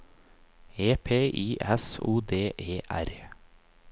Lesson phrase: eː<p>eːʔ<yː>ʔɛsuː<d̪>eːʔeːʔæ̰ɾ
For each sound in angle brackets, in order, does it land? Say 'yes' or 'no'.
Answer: no, no, yes

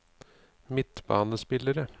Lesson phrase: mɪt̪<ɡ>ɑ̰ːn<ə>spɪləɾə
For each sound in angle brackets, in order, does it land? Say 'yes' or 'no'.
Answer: no, yes

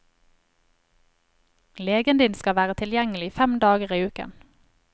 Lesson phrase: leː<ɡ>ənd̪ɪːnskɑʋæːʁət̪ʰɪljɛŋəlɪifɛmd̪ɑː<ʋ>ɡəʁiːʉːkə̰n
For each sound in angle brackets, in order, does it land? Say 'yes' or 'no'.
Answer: yes, no

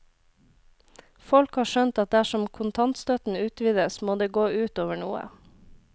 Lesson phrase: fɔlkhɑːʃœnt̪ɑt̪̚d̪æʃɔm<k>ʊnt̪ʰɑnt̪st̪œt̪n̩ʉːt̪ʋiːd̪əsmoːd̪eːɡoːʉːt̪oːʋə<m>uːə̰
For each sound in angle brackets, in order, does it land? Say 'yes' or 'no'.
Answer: no, no

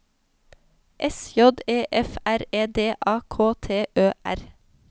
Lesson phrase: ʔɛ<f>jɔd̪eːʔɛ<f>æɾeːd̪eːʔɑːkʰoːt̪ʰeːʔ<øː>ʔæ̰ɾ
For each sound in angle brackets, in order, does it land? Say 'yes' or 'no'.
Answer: no, yes, yes

